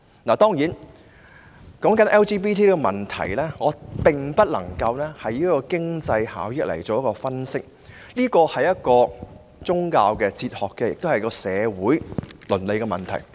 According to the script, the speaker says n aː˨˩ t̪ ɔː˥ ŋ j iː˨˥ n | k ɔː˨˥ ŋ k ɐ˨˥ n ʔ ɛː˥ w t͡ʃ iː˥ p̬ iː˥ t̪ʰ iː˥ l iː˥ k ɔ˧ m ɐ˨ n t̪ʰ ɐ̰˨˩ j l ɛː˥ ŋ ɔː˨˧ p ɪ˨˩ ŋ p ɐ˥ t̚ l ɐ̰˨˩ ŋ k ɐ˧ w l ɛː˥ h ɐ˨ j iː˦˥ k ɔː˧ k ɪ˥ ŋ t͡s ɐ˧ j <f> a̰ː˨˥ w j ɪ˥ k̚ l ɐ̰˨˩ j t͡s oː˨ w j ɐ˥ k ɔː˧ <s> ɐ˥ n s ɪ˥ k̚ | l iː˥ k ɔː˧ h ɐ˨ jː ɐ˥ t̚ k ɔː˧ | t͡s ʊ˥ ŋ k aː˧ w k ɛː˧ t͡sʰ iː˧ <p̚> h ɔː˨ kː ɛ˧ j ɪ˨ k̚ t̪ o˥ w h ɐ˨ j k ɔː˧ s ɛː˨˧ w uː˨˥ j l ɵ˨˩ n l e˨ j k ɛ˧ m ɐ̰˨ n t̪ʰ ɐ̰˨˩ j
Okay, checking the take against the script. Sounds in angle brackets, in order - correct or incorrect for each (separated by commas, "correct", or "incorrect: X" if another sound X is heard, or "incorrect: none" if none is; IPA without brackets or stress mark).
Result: incorrect: h, incorrect: f, incorrect: t̚